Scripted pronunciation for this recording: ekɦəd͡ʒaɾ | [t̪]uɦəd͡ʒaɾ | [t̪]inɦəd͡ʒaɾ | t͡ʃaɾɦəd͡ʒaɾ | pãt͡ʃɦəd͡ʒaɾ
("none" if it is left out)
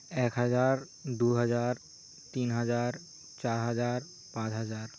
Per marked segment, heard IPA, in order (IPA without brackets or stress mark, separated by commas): d̪, t̪